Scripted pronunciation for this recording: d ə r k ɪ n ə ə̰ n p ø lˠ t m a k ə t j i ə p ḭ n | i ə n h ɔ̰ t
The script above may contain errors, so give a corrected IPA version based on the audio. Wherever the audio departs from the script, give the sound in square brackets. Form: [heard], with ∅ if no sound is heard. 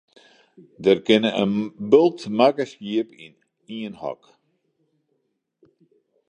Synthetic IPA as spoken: d ə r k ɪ n ə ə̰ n [b] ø lˠ t m a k ə [s] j i ə p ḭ n | i ə n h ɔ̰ [k]